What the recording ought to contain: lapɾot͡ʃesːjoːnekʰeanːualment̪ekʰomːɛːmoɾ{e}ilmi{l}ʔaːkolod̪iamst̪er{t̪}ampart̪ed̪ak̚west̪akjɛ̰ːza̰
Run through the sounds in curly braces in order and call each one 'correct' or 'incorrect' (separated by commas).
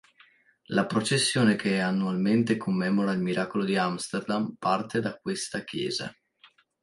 incorrect, incorrect, incorrect